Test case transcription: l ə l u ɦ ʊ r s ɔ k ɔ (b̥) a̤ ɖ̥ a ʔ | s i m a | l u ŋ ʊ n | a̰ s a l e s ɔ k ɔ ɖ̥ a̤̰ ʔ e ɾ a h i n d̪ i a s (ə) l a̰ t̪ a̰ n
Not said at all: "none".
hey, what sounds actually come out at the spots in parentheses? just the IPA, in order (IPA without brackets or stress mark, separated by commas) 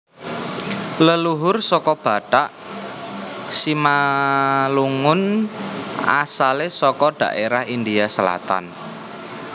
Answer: b̥, ə